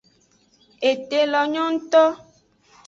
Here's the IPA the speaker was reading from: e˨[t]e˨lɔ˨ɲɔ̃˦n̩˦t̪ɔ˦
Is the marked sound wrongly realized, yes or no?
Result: no